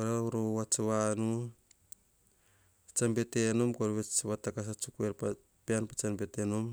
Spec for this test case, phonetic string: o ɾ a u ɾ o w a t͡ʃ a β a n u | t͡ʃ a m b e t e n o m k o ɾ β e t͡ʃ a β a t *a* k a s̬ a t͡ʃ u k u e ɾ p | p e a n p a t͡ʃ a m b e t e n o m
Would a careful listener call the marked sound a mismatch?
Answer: no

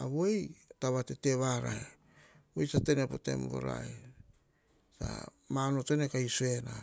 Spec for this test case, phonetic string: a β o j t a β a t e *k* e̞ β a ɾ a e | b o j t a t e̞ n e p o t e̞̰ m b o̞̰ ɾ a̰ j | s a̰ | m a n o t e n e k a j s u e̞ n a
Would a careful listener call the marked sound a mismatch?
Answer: yes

